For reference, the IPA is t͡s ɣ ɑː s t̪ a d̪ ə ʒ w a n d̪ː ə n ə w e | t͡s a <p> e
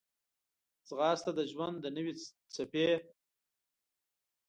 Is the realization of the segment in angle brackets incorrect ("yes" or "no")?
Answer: no